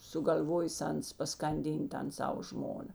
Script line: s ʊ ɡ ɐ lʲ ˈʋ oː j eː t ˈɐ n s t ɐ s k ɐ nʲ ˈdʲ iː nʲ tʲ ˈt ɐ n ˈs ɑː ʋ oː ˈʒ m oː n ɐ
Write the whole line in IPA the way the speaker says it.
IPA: s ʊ ɡ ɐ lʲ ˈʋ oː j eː s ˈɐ n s p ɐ s k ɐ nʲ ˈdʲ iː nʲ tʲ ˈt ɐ n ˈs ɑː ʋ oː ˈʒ m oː n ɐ

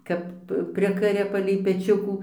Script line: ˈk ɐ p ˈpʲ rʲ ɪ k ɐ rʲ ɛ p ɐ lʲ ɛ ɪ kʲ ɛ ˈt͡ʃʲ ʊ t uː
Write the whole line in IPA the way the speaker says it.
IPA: ˈk ɐ p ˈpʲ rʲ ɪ k ɐ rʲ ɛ p ɐ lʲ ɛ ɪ pʲ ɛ ˈt͡ʃʲ ʊ k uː

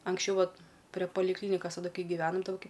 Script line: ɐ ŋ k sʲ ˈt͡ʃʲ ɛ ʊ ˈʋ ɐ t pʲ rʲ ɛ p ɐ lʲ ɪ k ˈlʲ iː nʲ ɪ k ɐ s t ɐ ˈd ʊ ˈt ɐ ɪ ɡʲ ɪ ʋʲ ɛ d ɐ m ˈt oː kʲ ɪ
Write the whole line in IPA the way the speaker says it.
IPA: ɐ ŋ k sʲ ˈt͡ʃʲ ɛ ʊ ˈʋ ɐ t pʲ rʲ ɛ p ɐ lʲ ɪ k ˈlʲ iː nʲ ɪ k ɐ s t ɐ ˈd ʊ ˈk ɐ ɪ ɡʲ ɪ ʋʲ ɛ n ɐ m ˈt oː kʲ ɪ

